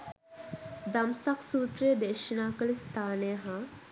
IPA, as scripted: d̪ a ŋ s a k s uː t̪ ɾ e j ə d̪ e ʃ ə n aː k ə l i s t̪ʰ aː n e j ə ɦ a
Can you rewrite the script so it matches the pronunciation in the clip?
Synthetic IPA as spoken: d̪ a m s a k s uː t̪ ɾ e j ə d̪ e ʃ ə n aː k ə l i s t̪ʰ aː n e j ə ɦ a